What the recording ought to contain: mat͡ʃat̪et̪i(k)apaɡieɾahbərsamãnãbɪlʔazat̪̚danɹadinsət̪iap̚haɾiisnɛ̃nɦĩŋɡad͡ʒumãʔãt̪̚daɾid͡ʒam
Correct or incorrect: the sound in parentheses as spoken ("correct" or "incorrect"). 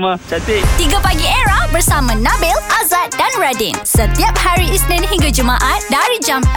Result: incorrect